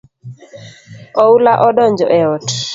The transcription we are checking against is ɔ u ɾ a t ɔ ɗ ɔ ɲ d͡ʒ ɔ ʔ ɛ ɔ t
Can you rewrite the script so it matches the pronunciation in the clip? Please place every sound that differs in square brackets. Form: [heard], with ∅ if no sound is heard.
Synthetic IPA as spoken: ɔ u [l] a [ʔ] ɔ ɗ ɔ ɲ d͡ʒ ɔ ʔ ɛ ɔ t